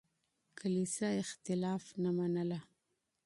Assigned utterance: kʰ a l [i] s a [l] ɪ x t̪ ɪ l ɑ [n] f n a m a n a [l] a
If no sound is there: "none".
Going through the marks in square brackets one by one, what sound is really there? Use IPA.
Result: i, none, none, l

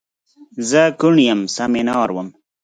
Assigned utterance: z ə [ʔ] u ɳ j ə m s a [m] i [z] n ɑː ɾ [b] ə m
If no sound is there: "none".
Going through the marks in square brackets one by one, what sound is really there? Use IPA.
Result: k, m, none, w

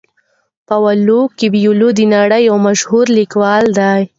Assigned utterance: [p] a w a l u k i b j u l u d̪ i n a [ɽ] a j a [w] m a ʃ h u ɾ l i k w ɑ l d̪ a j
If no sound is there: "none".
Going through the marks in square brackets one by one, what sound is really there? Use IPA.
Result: p, ɽ, w

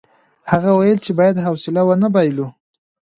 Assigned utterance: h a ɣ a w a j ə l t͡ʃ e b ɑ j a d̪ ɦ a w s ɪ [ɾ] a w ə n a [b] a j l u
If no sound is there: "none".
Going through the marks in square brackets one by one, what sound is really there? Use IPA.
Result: l, b

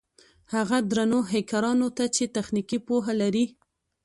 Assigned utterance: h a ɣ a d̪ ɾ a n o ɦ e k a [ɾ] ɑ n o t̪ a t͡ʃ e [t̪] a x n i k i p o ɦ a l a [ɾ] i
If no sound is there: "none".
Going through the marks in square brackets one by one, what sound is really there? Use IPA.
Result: ɾ, t̪, ɾ

